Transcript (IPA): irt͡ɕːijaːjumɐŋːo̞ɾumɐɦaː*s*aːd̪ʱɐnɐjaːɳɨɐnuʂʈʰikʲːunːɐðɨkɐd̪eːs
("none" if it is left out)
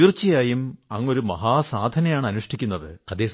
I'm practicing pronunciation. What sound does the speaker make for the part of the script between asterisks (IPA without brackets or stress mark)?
s